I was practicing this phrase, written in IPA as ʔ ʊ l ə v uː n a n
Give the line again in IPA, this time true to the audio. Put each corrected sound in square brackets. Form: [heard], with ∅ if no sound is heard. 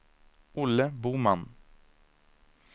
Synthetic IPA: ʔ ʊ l ə [b] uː [m] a n